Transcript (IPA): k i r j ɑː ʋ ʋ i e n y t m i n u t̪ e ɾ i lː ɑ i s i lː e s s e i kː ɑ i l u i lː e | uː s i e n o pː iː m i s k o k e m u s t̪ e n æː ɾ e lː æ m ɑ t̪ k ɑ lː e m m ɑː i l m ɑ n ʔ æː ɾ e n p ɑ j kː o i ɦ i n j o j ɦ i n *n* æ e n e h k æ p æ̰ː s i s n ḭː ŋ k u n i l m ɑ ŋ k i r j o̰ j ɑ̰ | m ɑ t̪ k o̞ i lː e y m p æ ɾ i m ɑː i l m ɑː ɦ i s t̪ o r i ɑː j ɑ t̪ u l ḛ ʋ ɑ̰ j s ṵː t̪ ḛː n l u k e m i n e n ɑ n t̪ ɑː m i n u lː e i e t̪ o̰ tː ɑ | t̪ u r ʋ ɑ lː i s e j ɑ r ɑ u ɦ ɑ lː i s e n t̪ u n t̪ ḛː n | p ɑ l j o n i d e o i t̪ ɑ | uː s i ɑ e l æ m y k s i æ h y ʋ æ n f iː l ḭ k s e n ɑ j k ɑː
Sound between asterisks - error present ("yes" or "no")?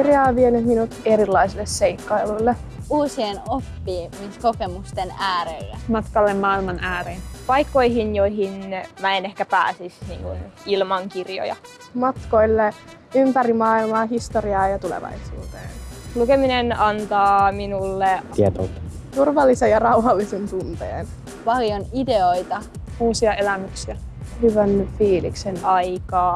yes